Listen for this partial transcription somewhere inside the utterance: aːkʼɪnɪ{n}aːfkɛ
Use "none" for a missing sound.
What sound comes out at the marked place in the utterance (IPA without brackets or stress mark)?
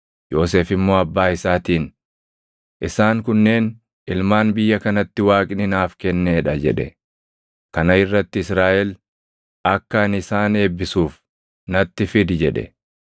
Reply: n